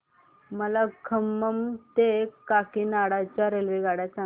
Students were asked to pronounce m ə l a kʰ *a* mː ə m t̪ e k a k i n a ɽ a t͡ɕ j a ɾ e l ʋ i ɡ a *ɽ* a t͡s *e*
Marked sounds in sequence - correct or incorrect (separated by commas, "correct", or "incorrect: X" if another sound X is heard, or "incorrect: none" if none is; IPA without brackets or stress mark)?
incorrect: ə, correct, incorrect: a